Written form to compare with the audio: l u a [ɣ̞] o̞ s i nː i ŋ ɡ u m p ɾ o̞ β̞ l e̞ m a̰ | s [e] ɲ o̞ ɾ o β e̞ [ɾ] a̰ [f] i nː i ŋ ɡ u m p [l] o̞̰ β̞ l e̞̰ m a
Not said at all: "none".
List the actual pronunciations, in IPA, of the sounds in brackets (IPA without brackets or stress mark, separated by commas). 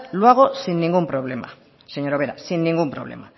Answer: ɣ̞, e, ɾ, s, ɾ